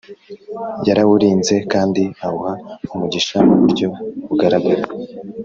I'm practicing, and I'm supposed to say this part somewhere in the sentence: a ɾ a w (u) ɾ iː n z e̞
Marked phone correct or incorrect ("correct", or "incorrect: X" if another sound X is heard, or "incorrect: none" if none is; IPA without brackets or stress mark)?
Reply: correct